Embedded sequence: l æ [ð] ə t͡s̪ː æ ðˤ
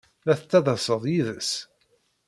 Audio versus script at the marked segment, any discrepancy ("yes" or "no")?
yes